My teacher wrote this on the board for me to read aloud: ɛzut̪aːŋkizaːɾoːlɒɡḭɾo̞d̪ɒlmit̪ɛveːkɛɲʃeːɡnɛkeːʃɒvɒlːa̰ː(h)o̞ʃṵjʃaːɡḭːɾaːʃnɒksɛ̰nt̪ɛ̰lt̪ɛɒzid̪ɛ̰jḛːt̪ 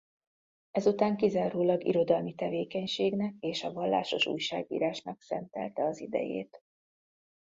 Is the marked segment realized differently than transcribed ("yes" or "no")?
yes